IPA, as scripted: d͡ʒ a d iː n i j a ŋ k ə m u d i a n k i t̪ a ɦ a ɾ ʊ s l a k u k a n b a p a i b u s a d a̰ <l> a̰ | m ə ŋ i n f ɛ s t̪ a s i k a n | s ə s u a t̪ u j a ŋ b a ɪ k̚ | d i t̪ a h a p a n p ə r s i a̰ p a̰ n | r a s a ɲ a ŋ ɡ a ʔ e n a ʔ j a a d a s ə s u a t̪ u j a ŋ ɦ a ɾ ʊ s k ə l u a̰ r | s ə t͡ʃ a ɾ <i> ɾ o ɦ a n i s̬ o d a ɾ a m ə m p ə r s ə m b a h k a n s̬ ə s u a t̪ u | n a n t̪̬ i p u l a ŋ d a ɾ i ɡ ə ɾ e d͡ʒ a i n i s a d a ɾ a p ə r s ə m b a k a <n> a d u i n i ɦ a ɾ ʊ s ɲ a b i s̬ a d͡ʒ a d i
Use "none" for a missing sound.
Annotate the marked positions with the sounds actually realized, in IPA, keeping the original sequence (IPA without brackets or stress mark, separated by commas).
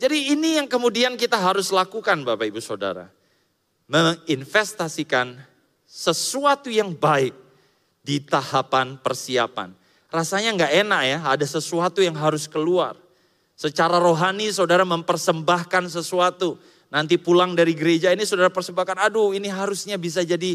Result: ɾ, a, n